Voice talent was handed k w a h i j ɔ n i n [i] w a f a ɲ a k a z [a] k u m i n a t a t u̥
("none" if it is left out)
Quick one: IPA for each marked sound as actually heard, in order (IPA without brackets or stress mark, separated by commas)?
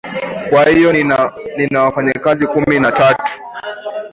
a, i